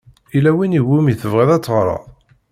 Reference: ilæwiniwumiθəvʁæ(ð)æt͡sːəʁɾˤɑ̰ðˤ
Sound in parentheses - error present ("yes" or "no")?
no